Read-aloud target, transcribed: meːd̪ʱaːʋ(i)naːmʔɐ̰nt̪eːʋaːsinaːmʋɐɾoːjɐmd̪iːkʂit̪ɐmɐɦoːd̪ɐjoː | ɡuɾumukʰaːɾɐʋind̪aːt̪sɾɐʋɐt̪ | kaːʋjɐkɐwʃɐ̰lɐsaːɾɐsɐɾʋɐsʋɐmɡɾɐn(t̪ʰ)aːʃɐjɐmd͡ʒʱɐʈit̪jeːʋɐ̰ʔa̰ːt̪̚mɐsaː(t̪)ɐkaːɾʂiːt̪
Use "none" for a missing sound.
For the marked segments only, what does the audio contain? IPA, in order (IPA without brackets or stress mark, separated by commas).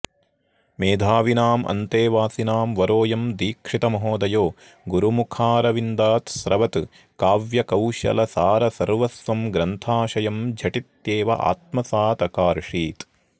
i, t̪ʰ, t̪